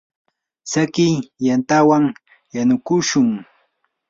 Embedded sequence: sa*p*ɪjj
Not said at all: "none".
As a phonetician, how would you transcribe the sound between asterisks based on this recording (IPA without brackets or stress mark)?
k